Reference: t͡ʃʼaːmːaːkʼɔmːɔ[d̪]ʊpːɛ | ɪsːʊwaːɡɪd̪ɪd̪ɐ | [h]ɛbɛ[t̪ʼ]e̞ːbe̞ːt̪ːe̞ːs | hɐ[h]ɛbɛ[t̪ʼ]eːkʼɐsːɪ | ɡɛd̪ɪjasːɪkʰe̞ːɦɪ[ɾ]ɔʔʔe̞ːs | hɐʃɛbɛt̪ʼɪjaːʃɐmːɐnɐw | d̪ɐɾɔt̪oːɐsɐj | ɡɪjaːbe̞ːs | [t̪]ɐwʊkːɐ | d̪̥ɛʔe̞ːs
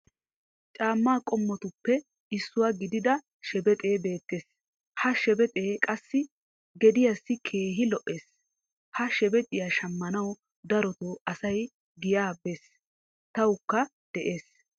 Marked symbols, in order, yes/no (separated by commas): no, no, yes, no, yes, no, yes